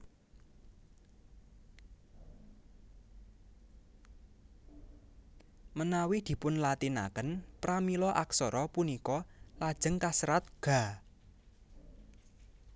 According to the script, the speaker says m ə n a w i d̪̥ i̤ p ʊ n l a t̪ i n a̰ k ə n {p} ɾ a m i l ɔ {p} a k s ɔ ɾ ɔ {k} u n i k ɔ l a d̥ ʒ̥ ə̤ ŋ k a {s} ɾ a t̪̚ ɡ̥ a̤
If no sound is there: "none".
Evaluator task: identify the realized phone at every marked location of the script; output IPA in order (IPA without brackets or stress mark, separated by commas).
p, ʔ, p, s